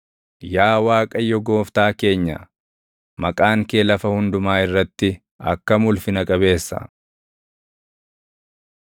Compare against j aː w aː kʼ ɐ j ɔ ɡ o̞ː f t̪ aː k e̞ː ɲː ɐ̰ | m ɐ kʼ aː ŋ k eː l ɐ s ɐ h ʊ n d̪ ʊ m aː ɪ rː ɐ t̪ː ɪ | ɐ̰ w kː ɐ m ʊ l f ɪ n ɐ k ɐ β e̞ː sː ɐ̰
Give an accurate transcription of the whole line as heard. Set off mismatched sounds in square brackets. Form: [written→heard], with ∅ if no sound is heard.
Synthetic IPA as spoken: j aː w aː kʼ ɐ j ɔ ɡ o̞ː f t̪ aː k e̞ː ɲː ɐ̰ | m ɐ kʼ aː ŋ k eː l ɐ [s→f] ɐ h ʊ n d̪ ʊ m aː ɪ rː ɐ t̪ː ɪ | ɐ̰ [w→∅] kː ɐ m ʊ l f ɪ n ɐ [k→kʼ] ɐ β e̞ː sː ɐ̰

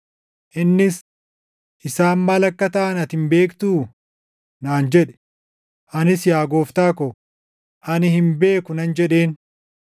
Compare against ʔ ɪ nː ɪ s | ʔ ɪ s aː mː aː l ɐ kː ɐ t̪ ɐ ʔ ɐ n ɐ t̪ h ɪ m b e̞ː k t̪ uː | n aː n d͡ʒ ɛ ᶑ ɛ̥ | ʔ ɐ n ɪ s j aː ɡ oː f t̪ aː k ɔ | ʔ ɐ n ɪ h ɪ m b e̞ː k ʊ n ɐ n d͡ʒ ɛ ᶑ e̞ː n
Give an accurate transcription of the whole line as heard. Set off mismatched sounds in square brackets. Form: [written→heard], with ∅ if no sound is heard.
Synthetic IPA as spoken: ʔ ɪ nː ɪ s | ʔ ɪ s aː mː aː l ɐ kː ɐ t̪ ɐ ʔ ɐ n ɐ t̪ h ɪ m b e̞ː k t̪ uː | n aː n d͡ʒ ɛ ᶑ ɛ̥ | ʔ ɐ n ɪ s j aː ɡ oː f t̪ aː k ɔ | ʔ ɐ n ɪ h ɪ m b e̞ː k ʊ n ɐ n d͡ʒ ɛ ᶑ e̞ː n

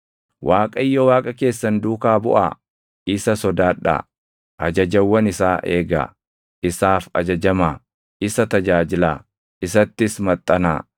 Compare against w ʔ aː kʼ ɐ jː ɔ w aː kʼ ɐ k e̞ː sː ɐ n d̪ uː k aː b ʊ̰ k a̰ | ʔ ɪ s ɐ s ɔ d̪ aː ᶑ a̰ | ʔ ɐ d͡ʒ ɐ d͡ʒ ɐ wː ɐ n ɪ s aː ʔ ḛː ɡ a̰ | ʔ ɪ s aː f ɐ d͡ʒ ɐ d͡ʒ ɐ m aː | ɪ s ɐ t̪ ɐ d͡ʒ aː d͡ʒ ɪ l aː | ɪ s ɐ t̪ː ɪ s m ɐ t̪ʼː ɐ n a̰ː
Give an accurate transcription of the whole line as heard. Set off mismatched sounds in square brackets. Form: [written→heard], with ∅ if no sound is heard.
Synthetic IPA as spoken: w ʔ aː kʼ ɐ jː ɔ w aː kʼ ɐ k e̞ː sː ɐ n d̪ uː k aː b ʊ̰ [k→ʔ] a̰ | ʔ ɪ s ɐ s ɔ d̪ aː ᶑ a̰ | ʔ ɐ d͡ʒ ɐ d͡ʒ ɐ wː ɐ n ɪ s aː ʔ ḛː ɡ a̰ | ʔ ɪ s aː f ɐ d͡ʒ ɐ d͡ʒ ɐ m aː | ɪ s ɐ t̪ ɐ d͡ʒ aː d͡ʒ ɪ l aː | ɪ s ɐ t̪ː ɪ s m ɐ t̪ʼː ɐ n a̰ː

